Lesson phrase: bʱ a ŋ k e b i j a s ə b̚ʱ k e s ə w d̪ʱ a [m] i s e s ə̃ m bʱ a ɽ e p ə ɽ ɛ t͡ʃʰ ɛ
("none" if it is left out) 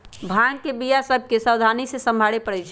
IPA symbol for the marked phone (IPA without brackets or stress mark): n